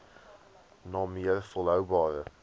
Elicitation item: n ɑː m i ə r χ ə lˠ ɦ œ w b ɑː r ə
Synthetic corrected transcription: n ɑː m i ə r f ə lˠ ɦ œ w b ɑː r ə